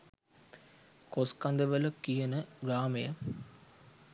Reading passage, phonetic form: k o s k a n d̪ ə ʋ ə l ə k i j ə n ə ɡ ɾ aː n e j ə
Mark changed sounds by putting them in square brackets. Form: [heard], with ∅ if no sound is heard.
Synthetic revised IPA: k o s k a n d̪ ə ʋ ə l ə k i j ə n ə ɡ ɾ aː [m] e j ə